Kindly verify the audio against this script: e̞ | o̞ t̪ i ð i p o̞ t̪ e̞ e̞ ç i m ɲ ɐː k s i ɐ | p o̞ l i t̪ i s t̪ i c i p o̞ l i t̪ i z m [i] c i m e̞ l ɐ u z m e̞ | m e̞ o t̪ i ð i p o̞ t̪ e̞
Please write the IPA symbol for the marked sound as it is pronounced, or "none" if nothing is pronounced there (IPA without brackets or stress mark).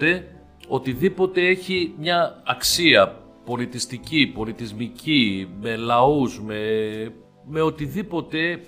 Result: i